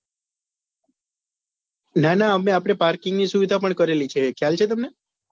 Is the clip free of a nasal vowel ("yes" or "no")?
yes